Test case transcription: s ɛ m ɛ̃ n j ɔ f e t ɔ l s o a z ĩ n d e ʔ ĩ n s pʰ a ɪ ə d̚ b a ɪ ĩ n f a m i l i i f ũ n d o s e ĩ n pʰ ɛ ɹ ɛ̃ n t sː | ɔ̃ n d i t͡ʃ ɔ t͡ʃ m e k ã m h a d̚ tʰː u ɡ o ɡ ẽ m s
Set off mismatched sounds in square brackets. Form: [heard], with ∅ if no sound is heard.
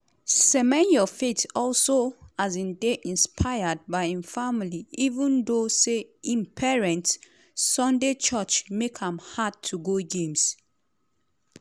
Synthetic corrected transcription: s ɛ m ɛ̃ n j ɔ f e t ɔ l s o a z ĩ n d e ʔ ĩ n s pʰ a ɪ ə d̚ b a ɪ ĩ n f a m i l i i [v] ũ n d o s e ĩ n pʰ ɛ ɹ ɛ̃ n t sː | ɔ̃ n d [e] t͡ʃ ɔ t͡ʃ m e k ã m h a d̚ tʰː u ɡ o ɡ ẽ m s